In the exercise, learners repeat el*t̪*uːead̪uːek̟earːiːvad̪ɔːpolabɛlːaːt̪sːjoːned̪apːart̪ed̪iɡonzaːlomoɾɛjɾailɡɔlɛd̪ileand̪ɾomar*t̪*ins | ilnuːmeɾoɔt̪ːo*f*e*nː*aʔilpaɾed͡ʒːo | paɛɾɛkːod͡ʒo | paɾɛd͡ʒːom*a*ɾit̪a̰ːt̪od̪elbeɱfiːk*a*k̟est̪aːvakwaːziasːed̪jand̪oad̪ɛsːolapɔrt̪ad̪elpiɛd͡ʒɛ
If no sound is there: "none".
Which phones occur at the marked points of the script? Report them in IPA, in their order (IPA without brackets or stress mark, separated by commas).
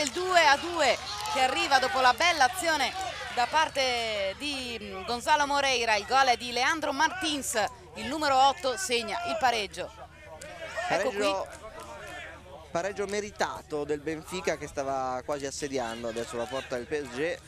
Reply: d̪, t̪, s, ɲː, e, a